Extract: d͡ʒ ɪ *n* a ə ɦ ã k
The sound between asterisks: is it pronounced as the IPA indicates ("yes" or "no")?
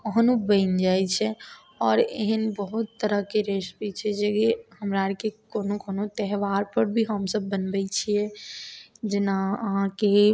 yes